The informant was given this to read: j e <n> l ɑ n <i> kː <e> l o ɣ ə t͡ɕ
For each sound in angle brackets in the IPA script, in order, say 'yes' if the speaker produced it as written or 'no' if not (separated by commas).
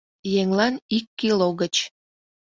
no, yes, no